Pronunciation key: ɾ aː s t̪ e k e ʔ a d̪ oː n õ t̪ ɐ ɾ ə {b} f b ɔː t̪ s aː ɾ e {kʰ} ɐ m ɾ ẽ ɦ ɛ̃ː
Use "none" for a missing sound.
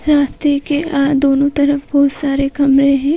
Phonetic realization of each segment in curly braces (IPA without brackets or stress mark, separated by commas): none, k